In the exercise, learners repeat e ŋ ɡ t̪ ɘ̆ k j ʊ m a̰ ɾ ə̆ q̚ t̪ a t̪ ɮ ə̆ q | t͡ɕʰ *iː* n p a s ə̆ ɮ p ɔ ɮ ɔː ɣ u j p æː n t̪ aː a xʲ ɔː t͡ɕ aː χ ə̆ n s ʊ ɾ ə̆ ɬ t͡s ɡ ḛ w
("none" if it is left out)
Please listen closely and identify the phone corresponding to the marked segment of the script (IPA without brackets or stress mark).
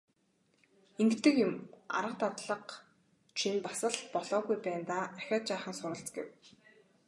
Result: i